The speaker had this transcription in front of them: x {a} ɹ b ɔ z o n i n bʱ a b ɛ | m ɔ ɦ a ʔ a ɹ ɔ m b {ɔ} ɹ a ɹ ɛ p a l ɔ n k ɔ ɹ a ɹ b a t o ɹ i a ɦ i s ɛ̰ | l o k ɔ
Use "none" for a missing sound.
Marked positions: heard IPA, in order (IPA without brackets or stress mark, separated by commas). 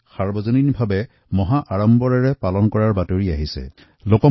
a, ɔ